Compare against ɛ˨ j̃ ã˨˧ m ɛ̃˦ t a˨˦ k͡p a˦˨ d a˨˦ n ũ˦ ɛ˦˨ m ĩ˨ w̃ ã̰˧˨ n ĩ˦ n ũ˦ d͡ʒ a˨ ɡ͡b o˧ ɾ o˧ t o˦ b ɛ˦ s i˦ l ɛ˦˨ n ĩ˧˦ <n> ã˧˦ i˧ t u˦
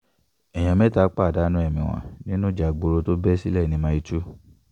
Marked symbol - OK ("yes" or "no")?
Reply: no